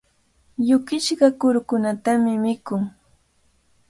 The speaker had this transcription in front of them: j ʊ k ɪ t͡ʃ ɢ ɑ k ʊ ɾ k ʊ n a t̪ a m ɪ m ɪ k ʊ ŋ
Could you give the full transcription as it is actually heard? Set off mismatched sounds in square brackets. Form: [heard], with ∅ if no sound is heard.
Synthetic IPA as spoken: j ʊ k ɪ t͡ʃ ɢ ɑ k ʊ ɾ k ʊ n a t̪ a m ɪ m ɪ k ʊ ŋ

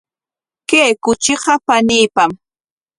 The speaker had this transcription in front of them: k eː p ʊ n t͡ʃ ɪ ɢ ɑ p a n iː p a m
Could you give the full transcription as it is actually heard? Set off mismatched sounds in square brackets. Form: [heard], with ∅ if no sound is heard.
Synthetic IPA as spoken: k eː [k] ʊ [∅] t͡ʃ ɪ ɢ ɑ p a n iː p a m

